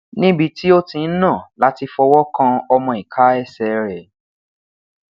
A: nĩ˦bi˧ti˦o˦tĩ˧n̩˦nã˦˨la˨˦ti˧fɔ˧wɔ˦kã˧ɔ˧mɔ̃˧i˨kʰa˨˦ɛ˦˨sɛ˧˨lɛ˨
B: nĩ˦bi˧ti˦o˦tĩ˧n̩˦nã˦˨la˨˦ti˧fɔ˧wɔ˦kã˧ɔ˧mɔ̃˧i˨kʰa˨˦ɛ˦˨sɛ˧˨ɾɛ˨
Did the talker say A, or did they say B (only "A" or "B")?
B